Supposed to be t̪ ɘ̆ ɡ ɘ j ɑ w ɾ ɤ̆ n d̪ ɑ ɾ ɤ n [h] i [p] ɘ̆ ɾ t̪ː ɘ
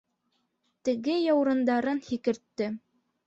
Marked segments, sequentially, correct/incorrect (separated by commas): correct, incorrect